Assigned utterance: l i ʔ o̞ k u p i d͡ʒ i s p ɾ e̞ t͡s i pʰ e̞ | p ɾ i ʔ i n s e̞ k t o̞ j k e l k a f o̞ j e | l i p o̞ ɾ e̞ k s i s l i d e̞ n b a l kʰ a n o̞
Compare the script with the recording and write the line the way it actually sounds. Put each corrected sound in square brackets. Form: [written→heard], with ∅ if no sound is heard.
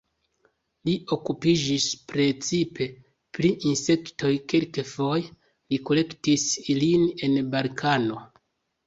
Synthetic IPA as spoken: l i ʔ o̞ k u p i d͡ʒ i s p ɾ e̞ t͡s i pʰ e̞ | p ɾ i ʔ i n s e̞ k t o̞ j k e l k [a→e] f o̞ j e | l i [p→k] o̞ [ɾ→l] e̞ k [s→t] i s l i [d→n] e̞ n b a l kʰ a n o̞